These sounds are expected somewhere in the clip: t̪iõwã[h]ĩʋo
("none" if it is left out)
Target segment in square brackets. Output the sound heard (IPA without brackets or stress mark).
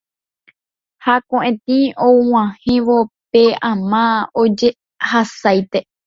h